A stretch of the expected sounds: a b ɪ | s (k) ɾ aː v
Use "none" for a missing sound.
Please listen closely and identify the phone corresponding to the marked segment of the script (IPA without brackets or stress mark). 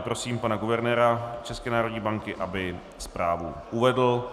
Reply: p